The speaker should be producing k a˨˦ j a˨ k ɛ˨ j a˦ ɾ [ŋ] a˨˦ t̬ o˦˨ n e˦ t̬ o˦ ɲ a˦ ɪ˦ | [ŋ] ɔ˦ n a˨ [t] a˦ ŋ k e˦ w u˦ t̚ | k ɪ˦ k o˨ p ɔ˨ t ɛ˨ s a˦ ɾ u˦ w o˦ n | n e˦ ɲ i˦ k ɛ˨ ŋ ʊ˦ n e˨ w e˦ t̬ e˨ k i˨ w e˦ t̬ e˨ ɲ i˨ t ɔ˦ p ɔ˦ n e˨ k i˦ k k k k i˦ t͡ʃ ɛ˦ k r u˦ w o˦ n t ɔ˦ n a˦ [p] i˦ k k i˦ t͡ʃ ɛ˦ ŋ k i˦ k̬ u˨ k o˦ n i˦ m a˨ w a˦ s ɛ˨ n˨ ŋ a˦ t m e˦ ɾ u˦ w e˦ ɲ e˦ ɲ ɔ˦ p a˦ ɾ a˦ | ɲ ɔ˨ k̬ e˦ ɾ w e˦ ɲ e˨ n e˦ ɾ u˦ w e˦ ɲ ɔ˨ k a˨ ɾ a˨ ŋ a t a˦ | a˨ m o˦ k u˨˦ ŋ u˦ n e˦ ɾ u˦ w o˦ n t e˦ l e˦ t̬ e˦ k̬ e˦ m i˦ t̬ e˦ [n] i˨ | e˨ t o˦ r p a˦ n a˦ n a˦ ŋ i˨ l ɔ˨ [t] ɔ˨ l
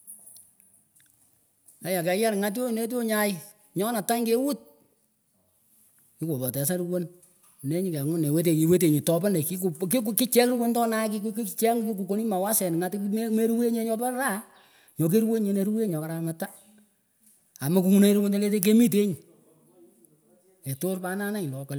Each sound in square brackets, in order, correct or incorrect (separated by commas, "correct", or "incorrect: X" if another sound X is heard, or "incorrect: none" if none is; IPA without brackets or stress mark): correct, incorrect: ɲ, correct, incorrect: k, incorrect: ɲ, incorrect: k